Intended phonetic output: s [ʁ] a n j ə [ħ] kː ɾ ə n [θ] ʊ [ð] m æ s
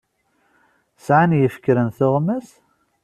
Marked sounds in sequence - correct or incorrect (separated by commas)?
incorrect, incorrect, correct, incorrect